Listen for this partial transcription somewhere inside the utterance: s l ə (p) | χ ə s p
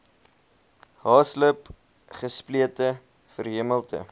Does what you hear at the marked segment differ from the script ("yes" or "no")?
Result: no